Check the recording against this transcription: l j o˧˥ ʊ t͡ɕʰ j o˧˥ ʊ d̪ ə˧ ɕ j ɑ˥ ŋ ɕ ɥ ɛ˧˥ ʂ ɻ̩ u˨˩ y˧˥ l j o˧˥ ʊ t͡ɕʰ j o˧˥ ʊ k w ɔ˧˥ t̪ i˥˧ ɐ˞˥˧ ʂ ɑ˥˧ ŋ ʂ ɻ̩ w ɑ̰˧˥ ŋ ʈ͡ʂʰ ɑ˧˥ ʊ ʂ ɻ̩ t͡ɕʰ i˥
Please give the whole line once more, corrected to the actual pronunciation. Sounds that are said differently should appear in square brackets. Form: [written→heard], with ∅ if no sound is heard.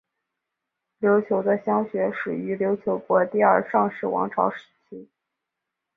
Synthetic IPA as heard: l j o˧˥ ʊ t͡ɕʰ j o˧˥ ʊ d̪ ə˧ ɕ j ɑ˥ ŋ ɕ ɥ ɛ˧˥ ʂ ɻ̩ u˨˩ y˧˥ l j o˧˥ ʊ t͡ɕʰ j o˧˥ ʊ k w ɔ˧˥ t̪ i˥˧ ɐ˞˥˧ ʂ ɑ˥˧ ŋ ʂ ɻ̩ w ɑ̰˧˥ ŋ ʈ͡ʂʰ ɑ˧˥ ʊ ʂ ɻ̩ t͡ɕʰ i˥